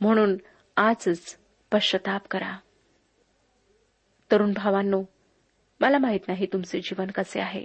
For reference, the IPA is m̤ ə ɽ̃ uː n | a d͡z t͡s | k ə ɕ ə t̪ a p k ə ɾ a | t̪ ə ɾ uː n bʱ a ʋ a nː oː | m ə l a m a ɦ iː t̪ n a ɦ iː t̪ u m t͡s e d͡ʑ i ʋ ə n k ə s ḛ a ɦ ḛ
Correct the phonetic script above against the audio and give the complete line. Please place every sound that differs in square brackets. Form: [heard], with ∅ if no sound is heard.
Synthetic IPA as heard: m̤ ə ɽ̃ uː n | a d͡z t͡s | [p] ə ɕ ə t̪ a p k ə ɾ a | t̪ ə ɾ uː n bʱ a ʋ a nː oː | m ə l a m a ɦ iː t̪ n a ɦ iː t̪ u m t͡s e d͡ʑ i ʋ ə n k ə s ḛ a ɦ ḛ